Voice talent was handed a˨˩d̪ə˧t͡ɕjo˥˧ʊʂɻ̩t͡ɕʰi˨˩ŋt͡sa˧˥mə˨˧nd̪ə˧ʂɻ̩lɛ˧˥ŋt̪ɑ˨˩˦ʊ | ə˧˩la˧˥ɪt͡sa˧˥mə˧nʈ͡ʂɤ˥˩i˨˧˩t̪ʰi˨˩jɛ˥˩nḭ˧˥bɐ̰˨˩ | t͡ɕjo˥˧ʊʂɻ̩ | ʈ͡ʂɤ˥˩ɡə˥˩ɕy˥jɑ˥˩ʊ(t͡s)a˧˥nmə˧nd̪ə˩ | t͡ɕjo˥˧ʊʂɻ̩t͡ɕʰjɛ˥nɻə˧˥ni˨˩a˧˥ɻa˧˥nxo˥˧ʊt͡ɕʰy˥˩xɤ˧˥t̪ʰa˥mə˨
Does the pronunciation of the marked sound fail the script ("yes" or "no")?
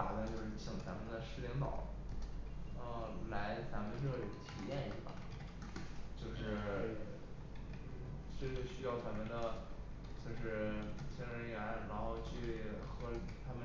no